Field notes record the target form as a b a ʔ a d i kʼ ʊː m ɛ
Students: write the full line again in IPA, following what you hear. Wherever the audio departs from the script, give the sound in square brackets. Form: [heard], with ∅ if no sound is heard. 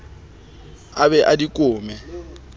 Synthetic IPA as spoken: a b [ɛ] ʔ a d i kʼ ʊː m ɛ